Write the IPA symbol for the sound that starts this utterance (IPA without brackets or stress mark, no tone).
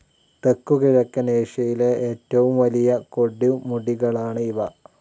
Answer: t̪